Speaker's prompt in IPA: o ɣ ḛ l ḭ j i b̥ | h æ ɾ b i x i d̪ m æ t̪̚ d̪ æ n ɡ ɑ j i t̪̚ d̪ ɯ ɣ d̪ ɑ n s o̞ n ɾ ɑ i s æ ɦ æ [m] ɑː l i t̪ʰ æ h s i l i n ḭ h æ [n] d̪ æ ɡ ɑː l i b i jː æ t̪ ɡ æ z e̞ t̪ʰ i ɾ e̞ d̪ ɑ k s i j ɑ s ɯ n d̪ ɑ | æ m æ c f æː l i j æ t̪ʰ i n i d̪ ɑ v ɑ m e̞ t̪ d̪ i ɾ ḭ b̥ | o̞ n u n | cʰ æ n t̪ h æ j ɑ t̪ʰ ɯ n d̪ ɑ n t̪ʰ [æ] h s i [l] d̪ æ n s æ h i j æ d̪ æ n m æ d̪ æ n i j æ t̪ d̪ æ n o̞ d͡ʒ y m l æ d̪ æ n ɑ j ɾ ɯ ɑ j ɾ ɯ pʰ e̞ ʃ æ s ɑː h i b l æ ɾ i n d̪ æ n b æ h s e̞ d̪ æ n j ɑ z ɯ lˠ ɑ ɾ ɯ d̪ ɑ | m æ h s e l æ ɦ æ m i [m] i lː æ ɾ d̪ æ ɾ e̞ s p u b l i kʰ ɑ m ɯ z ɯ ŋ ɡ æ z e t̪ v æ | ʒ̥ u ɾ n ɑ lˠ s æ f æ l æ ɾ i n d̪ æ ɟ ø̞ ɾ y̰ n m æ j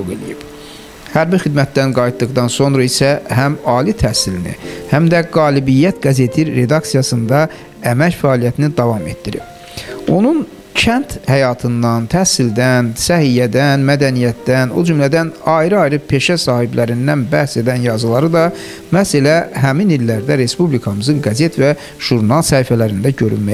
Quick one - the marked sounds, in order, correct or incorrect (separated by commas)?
correct, incorrect, correct, correct, incorrect